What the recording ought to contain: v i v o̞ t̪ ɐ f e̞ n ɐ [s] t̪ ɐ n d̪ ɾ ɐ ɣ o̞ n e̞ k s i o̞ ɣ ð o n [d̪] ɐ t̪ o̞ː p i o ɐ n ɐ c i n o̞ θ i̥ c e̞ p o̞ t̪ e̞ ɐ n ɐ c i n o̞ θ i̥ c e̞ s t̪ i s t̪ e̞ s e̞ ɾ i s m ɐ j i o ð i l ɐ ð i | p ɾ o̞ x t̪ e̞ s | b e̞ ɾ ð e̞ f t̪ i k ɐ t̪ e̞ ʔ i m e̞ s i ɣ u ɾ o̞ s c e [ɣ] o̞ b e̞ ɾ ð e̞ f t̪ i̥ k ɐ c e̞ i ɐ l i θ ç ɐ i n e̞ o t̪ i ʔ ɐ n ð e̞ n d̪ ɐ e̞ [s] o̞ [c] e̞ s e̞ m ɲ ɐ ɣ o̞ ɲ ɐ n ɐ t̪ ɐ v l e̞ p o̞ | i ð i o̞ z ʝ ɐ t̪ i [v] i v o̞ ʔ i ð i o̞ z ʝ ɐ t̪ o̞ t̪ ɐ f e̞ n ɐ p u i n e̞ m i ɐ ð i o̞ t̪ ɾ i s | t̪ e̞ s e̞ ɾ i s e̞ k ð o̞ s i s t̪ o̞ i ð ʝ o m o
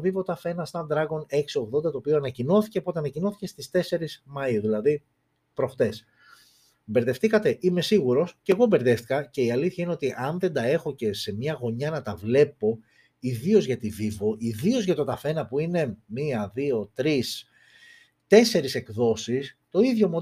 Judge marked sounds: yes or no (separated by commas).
yes, yes, yes, no, yes, yes